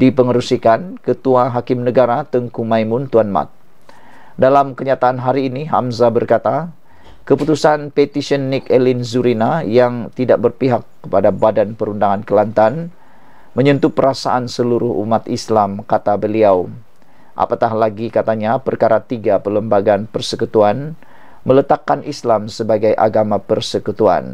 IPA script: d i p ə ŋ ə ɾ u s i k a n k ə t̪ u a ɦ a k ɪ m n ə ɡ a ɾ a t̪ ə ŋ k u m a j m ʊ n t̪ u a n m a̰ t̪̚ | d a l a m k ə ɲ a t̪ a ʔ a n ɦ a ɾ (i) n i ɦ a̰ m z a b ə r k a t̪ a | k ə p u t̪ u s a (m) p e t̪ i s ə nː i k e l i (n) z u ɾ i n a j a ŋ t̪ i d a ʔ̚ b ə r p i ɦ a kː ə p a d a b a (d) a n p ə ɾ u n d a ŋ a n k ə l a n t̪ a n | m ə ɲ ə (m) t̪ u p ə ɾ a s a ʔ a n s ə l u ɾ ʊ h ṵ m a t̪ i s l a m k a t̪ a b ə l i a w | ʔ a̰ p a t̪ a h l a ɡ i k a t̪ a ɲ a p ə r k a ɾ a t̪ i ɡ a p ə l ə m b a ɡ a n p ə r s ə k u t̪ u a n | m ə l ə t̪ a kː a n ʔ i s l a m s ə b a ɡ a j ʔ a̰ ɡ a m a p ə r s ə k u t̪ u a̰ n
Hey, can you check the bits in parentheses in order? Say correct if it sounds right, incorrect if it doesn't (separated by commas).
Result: incorrect, incorrect, correct, correct, incorrect